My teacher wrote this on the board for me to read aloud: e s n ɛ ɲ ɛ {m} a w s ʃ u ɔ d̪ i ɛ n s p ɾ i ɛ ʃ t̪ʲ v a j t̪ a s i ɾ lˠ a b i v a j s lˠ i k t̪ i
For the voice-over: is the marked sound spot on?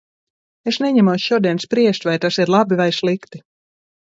yes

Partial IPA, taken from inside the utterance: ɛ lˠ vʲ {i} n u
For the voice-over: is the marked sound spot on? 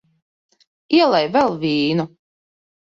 no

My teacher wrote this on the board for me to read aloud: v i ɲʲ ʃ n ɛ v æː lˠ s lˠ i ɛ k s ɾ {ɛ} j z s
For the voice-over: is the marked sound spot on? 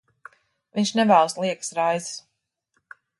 no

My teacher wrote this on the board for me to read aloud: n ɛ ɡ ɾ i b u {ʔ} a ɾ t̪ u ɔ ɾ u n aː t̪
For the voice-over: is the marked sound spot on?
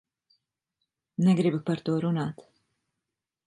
no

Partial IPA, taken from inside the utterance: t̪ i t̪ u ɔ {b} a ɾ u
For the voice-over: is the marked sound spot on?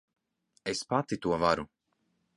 no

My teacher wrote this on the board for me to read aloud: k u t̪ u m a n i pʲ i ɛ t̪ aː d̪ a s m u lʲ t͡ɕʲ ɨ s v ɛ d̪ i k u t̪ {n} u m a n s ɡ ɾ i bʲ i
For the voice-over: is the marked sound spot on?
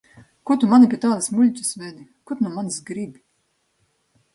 yes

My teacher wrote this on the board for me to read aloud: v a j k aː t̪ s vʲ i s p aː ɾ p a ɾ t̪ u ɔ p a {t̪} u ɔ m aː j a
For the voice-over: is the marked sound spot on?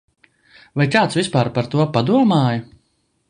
no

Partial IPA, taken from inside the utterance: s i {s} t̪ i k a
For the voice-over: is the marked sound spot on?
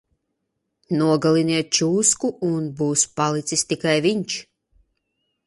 yes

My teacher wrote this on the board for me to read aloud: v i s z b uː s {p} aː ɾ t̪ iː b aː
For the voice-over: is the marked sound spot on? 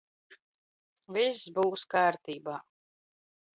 no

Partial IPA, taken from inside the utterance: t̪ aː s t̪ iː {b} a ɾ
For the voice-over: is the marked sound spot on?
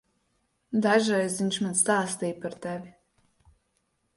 no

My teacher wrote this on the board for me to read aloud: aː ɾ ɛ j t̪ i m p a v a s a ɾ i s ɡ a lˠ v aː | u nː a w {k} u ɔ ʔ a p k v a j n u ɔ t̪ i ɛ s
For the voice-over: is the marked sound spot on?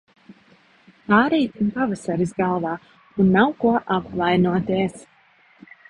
yes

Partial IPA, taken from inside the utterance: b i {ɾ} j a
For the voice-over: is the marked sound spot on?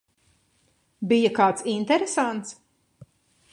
no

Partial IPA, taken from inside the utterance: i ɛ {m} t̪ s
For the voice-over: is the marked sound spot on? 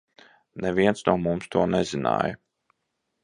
no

